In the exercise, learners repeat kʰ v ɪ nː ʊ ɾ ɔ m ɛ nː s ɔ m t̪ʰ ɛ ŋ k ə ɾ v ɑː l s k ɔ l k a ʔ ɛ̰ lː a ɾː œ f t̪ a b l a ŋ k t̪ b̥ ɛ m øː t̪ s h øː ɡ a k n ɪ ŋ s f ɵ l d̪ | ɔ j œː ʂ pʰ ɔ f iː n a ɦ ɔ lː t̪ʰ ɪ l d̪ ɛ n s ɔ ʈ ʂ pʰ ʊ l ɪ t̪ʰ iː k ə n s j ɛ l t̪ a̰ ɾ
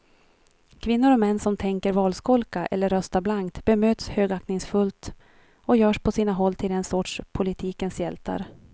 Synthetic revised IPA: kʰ v ɪ nː ʊ ɾ ɔ m ɛ nː s ɔ m t̪ʰ ɛ ŋ k ə ɾ v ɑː l s k ɔ l k a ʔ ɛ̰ lː ə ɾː œ s t̪ a b l a ŋ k t̪ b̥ ɛ m øː t̪ s h øː ɡ a k n ɪ ŋ s f ɵ l t̪ | ɔ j œː ʂ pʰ ɔ s iː n a ɦ ɔ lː t̪ʰ ɪ l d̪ ɛ n s ɔ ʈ ʂ pʰ ʊ l ɪ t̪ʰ iː k ə n s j ɛ l t̪ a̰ ɾ